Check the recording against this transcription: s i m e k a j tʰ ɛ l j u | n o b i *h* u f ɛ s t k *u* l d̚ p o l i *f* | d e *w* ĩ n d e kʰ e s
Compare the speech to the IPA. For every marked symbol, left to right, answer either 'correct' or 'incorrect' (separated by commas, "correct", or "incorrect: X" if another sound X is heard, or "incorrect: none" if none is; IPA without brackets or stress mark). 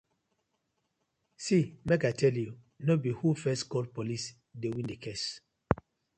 correct, incorrect: ɔ, incorrect: s, correct